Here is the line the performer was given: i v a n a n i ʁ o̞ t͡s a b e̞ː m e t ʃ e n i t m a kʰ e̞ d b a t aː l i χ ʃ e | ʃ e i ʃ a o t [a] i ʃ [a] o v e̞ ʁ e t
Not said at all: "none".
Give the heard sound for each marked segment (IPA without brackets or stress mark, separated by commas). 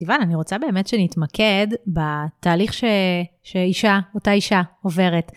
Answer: a, a